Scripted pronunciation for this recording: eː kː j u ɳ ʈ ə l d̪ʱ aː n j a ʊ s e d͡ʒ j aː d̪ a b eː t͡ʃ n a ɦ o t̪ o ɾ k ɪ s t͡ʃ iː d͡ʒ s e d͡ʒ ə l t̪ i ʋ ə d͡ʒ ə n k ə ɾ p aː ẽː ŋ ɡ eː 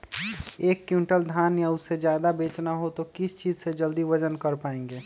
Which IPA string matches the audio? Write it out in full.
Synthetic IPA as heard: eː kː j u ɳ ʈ ə l d̪ʱ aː n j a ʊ s e d͡ʒ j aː d̪ a b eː t͡ʃ n a ɦ o t̪ o k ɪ s t͡ʃ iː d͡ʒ s e d͡ʒ ə l d̪ i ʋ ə d͡ʒ ə n k ə ɾ p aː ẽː ŋ ɡ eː